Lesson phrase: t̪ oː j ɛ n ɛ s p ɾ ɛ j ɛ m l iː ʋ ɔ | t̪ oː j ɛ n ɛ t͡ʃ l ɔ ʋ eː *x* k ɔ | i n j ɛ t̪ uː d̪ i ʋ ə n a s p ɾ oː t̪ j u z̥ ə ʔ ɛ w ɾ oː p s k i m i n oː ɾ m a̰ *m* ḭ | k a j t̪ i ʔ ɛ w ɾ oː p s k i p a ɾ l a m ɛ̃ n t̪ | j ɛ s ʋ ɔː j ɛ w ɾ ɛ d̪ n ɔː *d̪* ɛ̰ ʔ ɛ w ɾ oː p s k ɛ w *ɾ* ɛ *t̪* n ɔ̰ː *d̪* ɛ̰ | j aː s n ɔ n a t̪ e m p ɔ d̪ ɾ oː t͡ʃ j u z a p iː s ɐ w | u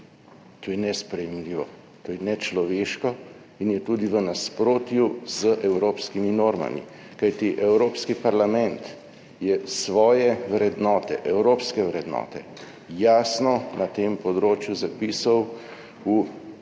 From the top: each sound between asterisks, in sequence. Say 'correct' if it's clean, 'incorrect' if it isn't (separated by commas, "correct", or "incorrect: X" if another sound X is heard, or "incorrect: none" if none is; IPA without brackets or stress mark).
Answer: incorrect: ʃ, correct, incorrect: t̪, correct, incorrect: d̪, incorrect: t̪